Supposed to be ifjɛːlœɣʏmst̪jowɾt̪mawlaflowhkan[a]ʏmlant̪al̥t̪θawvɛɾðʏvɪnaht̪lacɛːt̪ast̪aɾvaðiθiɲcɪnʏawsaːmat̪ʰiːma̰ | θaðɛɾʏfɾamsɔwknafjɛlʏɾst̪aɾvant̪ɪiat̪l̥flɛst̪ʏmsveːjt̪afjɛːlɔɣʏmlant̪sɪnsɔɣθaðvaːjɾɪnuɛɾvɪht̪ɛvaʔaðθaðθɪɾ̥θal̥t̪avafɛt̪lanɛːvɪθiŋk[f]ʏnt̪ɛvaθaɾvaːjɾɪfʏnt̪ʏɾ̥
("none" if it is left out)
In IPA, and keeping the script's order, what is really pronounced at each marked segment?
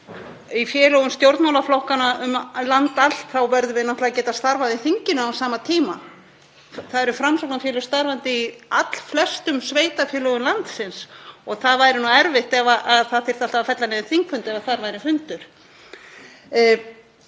a, f

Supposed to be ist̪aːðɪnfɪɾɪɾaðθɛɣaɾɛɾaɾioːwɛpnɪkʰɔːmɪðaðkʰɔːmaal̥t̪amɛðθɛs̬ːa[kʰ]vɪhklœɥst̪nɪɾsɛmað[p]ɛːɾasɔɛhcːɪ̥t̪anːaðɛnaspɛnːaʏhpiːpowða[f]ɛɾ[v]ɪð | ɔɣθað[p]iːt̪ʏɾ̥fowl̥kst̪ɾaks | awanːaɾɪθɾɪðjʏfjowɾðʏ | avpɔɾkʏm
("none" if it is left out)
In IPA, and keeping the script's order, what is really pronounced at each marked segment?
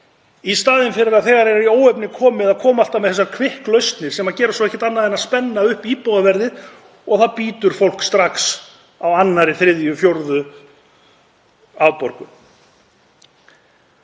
kʰ, c, v, ð, p

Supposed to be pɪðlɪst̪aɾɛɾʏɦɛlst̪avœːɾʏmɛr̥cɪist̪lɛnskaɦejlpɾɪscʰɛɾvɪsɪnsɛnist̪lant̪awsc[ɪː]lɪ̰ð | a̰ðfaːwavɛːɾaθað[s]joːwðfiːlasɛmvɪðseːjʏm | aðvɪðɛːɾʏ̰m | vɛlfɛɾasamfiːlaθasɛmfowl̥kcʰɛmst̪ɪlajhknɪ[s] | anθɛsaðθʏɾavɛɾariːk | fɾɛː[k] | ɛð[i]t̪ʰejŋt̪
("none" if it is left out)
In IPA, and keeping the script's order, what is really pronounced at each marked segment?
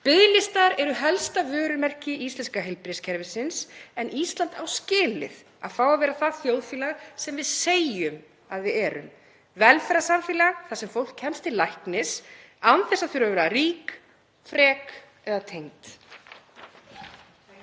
ɪː, θ, s, k, a

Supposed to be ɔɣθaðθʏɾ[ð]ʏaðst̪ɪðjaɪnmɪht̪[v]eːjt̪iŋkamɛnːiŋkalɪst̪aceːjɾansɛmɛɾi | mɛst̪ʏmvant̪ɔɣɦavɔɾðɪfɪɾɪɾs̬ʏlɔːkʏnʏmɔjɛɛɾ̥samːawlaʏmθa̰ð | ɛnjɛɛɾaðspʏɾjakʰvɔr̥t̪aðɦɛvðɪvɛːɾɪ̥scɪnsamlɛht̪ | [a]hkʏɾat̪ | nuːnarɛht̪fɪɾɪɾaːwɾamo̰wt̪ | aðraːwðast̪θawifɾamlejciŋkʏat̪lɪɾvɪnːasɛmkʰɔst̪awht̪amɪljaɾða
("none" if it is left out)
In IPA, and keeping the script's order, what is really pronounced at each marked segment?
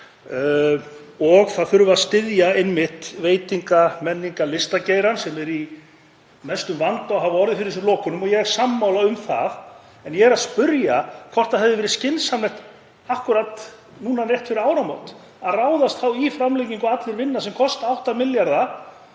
v, v, a

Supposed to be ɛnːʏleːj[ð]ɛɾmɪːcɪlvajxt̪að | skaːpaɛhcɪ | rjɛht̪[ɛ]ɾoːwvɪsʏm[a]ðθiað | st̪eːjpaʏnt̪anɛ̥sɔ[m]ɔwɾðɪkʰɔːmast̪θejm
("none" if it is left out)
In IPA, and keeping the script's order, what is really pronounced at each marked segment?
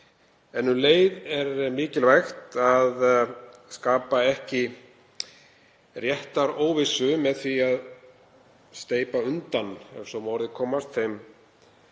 ð, a, ɛ, m

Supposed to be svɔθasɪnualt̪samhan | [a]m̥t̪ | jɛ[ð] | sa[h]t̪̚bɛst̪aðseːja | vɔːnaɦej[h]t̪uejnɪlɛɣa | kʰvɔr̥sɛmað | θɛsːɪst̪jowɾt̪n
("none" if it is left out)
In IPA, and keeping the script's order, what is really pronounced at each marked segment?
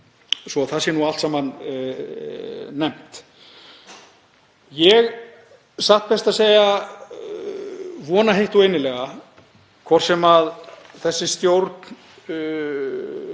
ɛ, ɣ, h, h

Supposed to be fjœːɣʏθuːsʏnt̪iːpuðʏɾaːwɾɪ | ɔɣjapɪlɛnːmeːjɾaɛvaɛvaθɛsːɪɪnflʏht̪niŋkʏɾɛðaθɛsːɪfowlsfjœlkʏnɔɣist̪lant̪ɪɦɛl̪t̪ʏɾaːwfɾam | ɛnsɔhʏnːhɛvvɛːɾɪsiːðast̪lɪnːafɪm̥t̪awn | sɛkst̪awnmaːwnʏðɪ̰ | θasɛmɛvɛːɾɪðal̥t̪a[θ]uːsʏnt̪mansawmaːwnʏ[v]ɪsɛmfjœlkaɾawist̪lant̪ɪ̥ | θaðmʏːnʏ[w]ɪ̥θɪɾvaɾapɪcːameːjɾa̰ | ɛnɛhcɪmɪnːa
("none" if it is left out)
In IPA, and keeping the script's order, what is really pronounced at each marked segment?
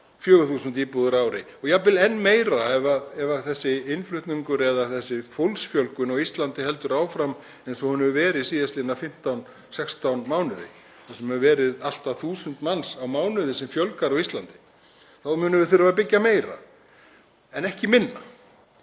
θ, ð, v

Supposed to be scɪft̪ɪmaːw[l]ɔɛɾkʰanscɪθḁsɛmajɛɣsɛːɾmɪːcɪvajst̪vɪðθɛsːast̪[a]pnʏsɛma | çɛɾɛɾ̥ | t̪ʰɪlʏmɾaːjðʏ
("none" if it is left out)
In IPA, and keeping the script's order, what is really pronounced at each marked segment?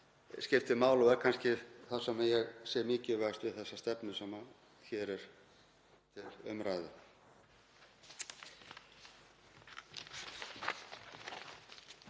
l, ɛ

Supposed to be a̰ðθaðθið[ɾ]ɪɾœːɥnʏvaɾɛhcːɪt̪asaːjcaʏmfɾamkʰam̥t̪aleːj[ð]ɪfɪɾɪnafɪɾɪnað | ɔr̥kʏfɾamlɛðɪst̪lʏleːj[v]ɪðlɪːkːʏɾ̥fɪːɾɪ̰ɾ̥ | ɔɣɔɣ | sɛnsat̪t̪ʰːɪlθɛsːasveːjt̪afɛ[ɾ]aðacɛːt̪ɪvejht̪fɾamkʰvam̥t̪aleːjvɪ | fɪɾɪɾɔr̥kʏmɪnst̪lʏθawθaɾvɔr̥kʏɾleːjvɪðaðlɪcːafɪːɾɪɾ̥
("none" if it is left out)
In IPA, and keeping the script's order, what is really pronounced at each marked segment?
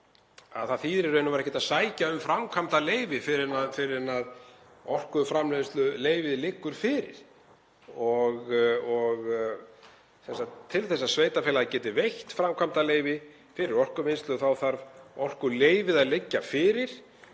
ɾ, v, v, l

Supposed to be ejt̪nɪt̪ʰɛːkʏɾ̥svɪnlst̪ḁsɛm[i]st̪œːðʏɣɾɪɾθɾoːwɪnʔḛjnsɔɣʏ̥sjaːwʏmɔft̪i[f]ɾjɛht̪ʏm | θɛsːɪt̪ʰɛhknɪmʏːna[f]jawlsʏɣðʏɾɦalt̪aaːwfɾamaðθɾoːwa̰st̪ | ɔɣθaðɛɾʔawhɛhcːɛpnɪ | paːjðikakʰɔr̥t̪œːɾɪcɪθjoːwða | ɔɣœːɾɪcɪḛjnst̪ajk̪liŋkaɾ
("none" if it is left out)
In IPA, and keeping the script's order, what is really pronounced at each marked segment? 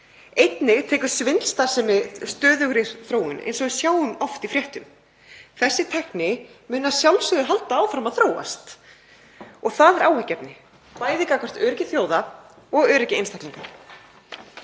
ɪ, f, s

